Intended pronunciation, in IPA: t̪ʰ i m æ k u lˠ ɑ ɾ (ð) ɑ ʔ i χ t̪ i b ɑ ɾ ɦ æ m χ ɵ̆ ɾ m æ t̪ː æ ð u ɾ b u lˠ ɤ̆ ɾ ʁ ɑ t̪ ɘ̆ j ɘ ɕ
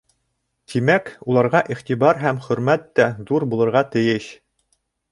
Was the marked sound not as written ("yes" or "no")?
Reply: yes